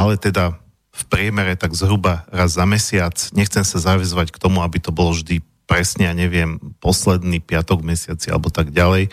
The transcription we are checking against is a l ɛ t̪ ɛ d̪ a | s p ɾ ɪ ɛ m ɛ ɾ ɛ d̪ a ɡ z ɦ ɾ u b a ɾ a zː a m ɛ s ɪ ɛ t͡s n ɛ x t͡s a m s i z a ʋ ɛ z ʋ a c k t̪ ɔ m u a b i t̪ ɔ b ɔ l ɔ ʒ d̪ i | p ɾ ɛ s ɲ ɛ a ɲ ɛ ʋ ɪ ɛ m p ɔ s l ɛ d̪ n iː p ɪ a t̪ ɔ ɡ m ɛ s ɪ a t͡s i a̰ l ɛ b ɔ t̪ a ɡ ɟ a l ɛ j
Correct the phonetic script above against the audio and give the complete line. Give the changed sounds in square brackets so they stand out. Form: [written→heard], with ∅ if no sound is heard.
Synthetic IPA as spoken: a l ɛ t̪ ɛ d̪ a | [s→f] p ɾ ɪ ɛ m ɛ ɾ ɛ [d̪→t̪] a ɡ z ɦ ɾ u b a ɾ a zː a m ɛ s ɪ [ɛ→a] t͡s [n→ɲ] ɛ x t͡s [a→ɛ] m s [i→a] z a ʋ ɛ z ʋ a c k t̪ ɔ m u a b i t̪ ɔ b ɔ l ɔ ʒ d̪ i | p ɾ ɛ s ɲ ɛ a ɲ ɛ ʋ ɪ ɛ m p ɔ s l ɛ d̪ n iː p ɪ a t̪ ɔ ɡ m ɛ s ɪ a t͡s i a̰ l ɛ b ɔ t̪ a ɡ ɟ a l ɛ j